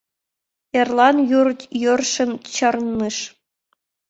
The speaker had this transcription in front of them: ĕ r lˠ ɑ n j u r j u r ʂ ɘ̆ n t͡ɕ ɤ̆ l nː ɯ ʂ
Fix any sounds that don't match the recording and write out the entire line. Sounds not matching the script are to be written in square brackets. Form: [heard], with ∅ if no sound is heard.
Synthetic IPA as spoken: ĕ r lˠ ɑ n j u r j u r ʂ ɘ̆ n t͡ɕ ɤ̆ [r] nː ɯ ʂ